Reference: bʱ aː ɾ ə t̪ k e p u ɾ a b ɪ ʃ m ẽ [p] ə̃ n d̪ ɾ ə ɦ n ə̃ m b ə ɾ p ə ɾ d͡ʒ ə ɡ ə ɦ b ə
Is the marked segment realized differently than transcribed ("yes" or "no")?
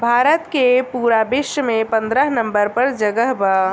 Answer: no